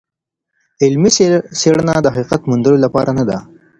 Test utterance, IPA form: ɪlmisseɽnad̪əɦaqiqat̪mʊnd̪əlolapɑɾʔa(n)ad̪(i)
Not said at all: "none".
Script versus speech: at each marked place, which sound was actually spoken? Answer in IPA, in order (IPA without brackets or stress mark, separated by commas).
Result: n, a